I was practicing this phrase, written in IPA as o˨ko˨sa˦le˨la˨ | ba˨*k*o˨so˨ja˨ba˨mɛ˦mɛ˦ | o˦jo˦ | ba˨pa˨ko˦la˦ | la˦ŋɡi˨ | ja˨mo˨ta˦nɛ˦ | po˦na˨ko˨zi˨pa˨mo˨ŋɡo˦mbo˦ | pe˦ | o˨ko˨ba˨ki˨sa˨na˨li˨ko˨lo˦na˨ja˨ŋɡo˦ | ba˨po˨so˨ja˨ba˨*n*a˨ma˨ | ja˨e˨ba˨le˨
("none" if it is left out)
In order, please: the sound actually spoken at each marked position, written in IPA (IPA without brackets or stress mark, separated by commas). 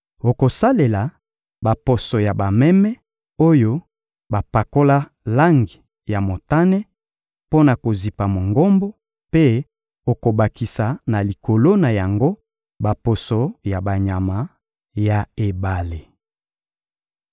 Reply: p, ɲ